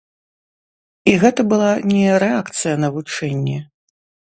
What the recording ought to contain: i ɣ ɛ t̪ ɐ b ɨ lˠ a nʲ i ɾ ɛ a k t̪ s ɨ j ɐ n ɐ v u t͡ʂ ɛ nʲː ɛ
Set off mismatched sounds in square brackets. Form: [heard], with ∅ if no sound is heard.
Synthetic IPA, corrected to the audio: i ɣ ɛ t̪ ɐ b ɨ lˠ a nʲ [ɛ] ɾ ɛ a k t̪ s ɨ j ɐ n ɐ v u t͡ʂ ɛ nʲː ɛ